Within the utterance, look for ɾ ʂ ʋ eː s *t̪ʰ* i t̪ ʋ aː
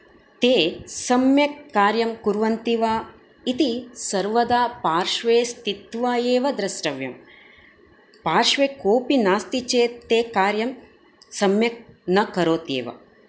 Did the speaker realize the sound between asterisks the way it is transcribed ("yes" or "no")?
no